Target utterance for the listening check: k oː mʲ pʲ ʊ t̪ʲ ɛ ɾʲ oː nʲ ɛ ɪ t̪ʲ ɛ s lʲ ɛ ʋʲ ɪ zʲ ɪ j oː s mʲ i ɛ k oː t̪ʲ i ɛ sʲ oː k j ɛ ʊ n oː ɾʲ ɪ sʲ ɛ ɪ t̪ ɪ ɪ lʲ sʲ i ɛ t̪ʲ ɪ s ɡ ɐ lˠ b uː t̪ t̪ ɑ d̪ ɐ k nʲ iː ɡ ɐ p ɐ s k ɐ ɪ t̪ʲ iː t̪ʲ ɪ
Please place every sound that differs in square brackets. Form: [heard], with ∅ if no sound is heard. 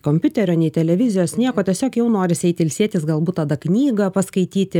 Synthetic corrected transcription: k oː mʲ pʲ ʊ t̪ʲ ɛ ɾʲ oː nʲ ɛ ɪ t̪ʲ ɛ [∅] lʲ ɛ ʋʲ ɪ zʲ ɪ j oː s [nʲ] i ɛ k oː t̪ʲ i ɛ sʲ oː k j ɛ ʊ n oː ɾʲ ɪ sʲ ɛ ɪ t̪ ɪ ɪ lʲ sʲ i ɛ t̪ʲ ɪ s ɡ ɐ lˠ b uː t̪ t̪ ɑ d̪ ɐ k nʲ iː ɡ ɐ p ɐ s k ɐ ɪ t̪ʲ iː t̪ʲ ɪ